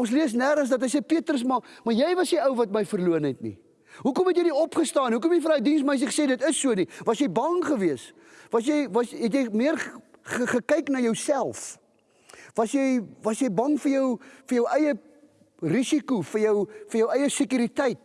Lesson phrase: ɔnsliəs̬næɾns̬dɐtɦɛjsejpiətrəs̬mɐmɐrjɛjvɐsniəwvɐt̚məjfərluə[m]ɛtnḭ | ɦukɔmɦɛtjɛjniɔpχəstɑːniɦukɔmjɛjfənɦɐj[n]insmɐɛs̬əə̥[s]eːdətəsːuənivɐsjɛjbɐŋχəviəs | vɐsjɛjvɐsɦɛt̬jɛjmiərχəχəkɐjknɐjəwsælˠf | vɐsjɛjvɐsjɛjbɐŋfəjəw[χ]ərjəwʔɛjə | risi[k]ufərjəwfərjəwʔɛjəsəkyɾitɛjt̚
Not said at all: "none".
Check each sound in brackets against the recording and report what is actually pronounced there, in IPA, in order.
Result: n, d, s, f, k

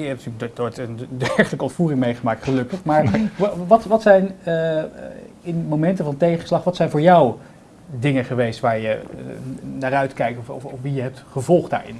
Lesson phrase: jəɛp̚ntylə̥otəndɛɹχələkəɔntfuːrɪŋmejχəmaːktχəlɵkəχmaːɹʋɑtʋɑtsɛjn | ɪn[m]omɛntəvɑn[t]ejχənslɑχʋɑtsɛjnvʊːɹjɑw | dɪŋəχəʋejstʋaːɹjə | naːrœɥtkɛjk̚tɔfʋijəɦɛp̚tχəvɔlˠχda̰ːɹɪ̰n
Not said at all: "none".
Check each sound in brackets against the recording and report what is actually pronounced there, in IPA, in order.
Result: m, t

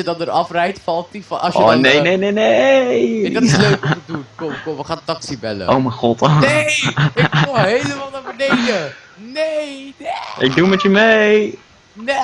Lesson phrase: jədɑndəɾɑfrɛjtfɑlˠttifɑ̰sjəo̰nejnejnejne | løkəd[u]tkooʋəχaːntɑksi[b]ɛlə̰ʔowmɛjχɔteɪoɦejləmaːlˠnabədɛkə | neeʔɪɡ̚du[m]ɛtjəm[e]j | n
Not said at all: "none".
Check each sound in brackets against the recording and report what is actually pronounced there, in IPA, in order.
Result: u, b, m, e

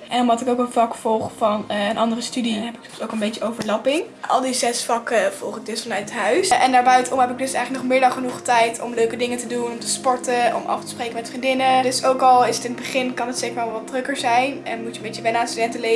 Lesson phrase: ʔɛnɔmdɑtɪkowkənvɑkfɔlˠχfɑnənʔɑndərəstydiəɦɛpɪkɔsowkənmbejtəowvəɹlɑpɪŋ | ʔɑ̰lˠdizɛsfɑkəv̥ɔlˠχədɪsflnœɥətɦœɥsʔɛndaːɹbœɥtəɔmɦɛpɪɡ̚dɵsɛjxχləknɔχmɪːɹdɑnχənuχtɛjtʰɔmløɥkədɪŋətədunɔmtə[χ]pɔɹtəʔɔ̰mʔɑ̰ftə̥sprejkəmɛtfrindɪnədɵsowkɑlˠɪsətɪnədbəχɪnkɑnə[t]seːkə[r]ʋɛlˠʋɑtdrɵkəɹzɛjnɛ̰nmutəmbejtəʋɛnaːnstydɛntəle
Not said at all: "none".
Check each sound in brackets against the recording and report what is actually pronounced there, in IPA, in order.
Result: s, t, ɹ

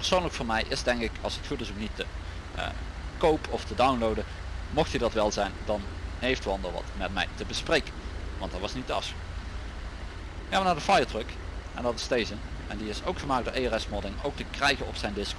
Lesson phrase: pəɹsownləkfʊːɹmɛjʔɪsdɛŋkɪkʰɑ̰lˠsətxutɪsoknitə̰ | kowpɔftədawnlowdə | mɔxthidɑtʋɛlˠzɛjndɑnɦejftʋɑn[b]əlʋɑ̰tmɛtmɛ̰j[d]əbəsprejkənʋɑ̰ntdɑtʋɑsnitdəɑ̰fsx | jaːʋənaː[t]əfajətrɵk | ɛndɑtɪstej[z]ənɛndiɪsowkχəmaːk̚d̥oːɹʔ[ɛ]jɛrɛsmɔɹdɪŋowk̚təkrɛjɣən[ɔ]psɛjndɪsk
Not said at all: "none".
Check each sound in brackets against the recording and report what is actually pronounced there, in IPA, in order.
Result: d, t, d, z, e, ɔ

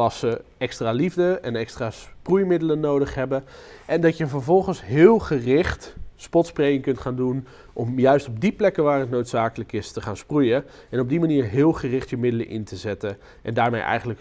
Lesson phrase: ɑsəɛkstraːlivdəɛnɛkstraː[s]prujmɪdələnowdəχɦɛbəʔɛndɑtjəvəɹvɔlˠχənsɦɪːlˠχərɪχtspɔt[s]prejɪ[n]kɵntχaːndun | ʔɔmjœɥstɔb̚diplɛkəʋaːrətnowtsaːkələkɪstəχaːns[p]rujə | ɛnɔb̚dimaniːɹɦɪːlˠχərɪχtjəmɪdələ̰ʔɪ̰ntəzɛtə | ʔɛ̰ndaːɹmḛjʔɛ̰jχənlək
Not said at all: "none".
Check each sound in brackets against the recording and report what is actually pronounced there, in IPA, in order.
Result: s, s, ŋ, p

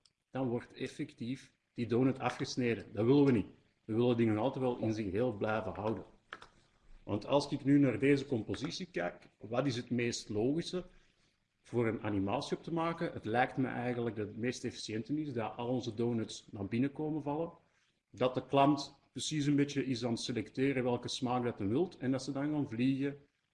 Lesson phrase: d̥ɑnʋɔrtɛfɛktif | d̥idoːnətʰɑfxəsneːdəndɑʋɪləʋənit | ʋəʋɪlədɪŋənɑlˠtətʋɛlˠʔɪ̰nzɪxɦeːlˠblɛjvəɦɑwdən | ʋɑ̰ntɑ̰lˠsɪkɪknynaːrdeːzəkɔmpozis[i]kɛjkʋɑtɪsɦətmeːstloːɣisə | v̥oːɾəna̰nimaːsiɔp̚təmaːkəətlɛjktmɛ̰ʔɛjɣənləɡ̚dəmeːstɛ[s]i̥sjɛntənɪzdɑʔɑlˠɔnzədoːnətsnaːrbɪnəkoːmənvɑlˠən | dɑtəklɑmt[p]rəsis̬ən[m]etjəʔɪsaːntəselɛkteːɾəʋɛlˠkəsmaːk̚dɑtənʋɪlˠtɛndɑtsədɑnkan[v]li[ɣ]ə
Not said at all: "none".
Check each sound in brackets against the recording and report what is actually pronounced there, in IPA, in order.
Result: i, f, p, b, v, ɣ

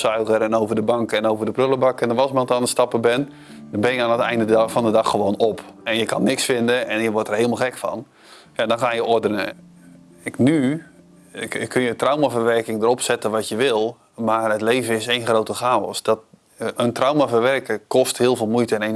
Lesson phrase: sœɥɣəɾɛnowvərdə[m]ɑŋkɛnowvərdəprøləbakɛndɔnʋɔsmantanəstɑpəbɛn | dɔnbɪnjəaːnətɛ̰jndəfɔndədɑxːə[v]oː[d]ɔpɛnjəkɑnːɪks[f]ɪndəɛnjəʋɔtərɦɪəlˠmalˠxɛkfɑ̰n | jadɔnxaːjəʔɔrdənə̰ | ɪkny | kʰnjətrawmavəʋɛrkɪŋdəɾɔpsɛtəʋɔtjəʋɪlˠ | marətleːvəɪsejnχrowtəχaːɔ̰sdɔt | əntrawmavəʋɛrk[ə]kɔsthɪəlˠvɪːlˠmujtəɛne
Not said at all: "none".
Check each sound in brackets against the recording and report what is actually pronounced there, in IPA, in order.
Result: b, ʋ, n, f, ə

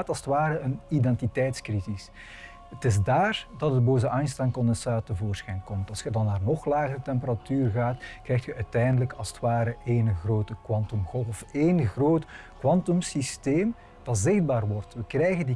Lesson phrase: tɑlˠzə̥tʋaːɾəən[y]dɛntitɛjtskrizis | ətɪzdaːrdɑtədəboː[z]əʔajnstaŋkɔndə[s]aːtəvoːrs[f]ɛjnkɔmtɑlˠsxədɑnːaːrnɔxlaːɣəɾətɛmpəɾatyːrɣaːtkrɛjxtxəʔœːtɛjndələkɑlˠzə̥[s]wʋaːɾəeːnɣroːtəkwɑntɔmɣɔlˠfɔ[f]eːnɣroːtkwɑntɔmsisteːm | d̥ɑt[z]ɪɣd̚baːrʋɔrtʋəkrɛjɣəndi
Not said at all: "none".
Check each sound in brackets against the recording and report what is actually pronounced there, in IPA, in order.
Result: i, z, s, x, t, f, z

